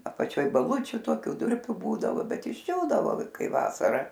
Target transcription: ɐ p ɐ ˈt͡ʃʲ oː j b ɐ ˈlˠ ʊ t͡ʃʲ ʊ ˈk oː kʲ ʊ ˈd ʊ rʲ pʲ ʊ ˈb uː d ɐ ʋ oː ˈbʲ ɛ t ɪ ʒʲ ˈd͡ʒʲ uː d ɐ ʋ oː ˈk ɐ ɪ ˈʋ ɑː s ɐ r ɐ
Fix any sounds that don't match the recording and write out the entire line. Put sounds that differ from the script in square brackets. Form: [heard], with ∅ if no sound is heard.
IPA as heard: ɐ p ɐ ˈt͡ʃʲ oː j b ɐ ˈlˠ ʊ t͡ʃʲ ʊ [ˈt] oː kʲ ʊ ˈd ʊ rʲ pʲ ʊ ˈb uː d ɐ ʋ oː ˈbʲ ɛ t ɪ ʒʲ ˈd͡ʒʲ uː d ɐ ʋ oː ˈk ɐ ɪ ˈʋ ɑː s ɐ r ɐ